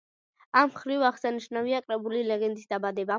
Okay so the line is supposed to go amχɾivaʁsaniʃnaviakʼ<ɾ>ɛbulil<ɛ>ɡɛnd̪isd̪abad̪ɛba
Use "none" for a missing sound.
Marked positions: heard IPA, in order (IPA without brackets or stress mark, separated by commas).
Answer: ɾ, ɛ